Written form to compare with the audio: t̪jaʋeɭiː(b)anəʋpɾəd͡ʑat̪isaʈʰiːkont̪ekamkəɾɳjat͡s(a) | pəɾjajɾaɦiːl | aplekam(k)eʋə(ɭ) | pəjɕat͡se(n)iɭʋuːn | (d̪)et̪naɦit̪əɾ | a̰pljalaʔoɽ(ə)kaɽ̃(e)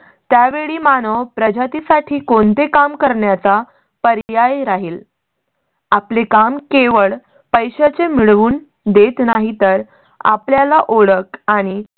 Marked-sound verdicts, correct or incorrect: incorrect, correct, correct, correct, incorrect, correct, correct, incorrect

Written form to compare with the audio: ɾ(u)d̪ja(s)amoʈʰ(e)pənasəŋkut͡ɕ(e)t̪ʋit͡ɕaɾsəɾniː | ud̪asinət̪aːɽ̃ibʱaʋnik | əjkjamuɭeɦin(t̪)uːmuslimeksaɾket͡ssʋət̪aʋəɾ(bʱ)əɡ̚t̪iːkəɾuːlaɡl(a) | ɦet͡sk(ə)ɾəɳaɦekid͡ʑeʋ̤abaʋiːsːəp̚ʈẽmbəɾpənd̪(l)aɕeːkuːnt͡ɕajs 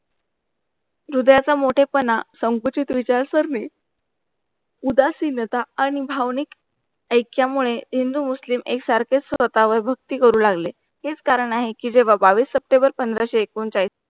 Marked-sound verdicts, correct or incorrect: correct, incorrect, correct, incorrect, incorrect, correct, incorrect, incorrect, incorrect

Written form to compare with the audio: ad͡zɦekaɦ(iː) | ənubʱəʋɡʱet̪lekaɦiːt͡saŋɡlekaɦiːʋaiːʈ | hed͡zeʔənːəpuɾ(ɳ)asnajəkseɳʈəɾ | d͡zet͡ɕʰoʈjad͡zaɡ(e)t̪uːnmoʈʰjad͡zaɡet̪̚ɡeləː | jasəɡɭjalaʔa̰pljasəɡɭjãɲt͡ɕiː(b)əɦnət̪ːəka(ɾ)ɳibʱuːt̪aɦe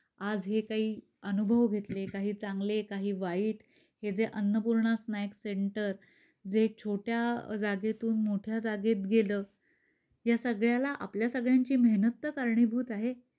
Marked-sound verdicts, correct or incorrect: correct, correct, correct, incorrect, correct

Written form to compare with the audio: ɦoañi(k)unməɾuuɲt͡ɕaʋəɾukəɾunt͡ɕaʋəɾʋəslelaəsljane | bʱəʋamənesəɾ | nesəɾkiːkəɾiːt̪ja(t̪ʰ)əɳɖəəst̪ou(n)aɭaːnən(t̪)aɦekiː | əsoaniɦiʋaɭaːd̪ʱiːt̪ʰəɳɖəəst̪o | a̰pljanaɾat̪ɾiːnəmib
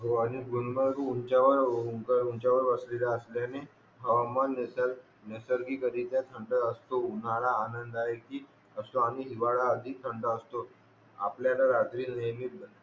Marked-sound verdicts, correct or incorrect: incorrect, correct, correct, incorrect

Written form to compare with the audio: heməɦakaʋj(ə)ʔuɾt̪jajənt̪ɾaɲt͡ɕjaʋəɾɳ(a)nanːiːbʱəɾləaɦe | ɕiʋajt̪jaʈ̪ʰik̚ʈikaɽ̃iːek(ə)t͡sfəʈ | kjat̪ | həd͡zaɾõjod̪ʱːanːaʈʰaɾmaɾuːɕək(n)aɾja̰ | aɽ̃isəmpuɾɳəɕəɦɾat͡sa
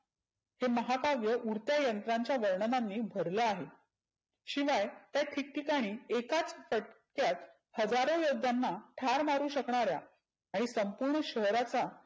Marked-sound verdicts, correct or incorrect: correct, incorrect, incorrect, incorrect

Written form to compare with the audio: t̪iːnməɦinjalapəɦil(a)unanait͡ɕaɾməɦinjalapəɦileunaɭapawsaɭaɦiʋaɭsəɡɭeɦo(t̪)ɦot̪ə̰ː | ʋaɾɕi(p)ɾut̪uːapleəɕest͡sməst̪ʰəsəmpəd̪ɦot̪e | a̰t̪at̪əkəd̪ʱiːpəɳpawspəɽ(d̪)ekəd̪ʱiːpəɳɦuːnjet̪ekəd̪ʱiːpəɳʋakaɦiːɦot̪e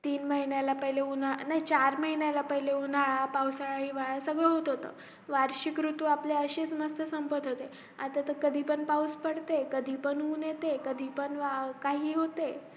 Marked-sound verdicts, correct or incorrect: incorrect, correct, incorrect, incorrect

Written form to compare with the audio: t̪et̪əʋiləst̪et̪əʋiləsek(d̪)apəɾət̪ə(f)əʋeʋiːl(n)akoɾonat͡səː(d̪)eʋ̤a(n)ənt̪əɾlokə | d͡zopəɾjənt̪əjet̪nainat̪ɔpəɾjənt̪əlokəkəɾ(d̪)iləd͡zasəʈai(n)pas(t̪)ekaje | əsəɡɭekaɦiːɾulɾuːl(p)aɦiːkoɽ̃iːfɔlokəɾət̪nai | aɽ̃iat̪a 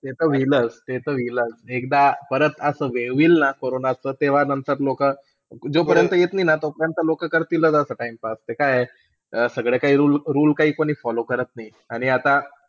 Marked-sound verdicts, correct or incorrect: correct, incorrect, correct, incorrect, correct, incorrect, incorrect, correct, incorrect

